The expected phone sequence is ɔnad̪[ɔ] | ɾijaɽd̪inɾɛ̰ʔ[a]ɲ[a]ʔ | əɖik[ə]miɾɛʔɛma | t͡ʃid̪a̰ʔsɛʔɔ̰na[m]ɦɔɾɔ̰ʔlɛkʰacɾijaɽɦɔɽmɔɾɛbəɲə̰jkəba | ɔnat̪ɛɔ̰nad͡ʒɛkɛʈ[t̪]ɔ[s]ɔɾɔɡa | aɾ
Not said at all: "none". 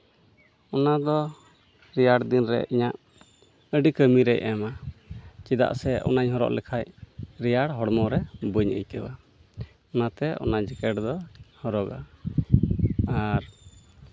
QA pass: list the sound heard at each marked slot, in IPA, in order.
ɔ, i, a, ə, ɲ, d̪, h

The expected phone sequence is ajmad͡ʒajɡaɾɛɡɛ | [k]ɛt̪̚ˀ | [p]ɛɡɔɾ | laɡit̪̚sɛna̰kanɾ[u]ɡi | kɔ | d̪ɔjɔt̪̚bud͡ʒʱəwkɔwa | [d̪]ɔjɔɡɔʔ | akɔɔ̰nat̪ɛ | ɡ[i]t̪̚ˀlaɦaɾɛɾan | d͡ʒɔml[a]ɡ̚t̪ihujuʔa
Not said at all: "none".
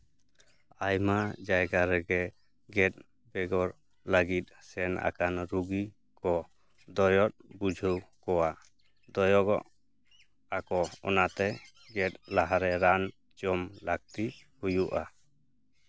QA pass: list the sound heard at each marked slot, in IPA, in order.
ɡ, b, u, d̪, ɛ, a

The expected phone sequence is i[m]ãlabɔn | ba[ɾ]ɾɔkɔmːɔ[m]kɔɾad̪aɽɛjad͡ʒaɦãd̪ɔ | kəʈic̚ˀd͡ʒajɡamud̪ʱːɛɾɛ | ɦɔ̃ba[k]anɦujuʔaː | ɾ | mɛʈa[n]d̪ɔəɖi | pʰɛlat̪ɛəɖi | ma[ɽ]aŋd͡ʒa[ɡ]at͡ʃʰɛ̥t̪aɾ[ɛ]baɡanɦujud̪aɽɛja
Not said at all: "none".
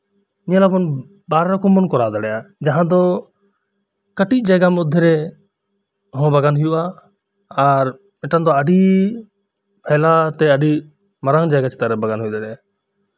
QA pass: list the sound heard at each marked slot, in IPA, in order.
ɲ, ɾ, n, ɡ, n, ɾ, ɡ, ɛ

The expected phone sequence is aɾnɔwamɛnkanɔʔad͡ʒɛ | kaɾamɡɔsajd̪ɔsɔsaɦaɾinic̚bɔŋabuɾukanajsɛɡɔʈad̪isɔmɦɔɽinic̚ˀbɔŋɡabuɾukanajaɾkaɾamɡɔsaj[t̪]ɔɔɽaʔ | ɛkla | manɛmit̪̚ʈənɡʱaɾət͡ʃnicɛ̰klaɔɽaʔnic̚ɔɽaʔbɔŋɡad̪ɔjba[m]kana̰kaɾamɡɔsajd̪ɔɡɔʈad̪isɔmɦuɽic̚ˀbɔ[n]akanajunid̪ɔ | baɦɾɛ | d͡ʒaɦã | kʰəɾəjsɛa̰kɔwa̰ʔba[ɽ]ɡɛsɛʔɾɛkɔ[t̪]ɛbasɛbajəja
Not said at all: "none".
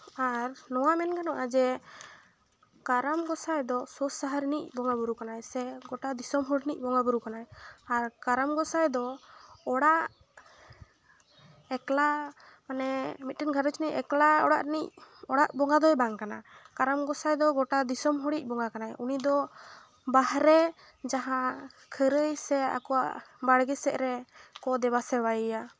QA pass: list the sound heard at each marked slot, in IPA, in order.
d̪, ŋ, ŋ, ɽ, d̪

